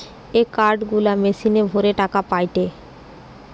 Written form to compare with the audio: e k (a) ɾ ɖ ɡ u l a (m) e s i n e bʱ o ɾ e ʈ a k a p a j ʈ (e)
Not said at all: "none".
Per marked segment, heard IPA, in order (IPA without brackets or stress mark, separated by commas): a, m, e